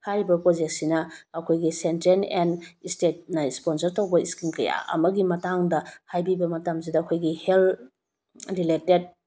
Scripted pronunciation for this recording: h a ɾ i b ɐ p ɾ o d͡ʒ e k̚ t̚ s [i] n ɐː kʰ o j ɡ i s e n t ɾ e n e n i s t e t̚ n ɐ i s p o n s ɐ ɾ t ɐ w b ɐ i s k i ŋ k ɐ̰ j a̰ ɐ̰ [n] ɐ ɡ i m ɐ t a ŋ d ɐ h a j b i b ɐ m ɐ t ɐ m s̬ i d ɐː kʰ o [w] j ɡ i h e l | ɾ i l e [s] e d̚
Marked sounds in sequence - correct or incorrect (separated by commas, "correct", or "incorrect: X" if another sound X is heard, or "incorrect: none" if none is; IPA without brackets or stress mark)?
correct, incorrect: m, incorrect: none, incorrect: t